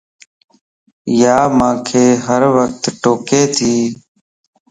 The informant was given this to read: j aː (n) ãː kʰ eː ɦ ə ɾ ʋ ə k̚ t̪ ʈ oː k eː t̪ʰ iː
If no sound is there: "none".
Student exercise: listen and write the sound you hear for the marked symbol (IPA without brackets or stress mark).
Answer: m